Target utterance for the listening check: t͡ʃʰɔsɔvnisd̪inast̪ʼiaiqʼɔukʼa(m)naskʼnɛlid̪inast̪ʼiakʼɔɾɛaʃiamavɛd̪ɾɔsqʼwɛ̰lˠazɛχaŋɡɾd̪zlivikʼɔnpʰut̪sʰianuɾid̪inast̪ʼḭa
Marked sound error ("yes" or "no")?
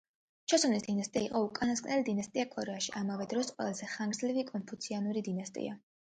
yes